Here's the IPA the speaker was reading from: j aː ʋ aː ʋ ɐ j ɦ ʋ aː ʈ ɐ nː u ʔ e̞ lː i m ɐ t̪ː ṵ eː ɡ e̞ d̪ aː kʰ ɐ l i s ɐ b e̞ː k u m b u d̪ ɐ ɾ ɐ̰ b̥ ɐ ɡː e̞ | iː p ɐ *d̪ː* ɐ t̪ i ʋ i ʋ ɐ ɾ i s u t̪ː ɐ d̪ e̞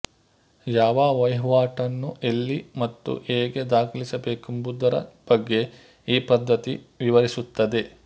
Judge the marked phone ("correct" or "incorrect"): correct